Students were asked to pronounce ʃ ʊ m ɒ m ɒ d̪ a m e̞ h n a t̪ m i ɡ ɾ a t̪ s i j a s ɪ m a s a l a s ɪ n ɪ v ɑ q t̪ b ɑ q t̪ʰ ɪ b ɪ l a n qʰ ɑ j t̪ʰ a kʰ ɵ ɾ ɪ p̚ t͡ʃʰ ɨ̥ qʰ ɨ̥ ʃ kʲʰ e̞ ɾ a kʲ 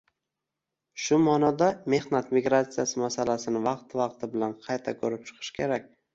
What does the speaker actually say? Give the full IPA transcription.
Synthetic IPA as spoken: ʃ ʊ m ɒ n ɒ d̪ a m e̞ h n a t̪ m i ɡ ɾ a t̪ s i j a s ɪ m a s a l a s ɪ n ɪ v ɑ q t̪ v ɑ q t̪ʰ ɪ b ɪ l a n qʰ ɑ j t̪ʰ a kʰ ɵ ɾ ɪ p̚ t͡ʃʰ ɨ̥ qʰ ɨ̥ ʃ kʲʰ e̞ ɾ a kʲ